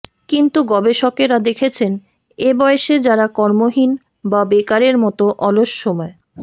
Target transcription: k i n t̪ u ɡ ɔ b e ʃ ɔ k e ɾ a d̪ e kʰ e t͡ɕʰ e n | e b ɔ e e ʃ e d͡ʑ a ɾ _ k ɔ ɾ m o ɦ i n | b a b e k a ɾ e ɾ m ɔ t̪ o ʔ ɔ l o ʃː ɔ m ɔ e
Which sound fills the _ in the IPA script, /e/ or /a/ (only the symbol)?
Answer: a